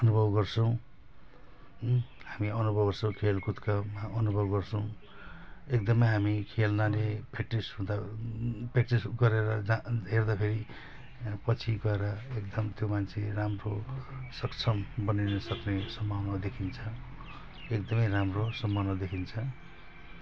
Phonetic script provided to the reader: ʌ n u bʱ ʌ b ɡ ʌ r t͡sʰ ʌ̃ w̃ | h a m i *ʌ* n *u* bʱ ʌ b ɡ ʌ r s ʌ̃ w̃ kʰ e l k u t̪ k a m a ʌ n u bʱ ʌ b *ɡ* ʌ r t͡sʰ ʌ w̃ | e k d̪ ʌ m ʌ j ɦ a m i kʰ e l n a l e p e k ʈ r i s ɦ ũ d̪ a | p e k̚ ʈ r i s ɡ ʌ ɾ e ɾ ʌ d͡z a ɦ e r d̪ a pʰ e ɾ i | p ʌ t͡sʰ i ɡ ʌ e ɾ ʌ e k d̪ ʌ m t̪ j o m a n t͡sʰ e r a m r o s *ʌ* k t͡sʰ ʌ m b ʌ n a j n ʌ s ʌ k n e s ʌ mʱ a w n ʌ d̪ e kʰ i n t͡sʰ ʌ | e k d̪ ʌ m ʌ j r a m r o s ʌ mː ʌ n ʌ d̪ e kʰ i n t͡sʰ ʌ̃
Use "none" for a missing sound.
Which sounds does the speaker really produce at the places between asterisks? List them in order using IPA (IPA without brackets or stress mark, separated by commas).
ʌ, u, ɡ, ʌ